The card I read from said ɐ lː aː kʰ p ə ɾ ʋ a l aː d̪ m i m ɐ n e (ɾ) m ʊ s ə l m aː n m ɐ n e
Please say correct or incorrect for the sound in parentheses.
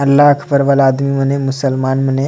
incorrect